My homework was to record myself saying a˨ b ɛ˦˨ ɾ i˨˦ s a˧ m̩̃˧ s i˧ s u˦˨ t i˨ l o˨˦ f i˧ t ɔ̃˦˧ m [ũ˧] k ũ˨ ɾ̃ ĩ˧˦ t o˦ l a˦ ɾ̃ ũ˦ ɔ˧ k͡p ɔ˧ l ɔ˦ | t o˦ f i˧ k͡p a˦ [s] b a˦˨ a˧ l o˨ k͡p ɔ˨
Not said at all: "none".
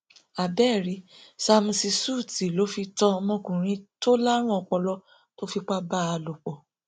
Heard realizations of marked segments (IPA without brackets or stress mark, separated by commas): ɔ̃˧, none